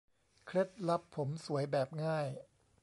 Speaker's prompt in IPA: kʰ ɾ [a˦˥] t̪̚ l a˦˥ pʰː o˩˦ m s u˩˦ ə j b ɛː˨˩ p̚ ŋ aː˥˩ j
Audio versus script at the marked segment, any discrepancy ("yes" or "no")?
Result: yes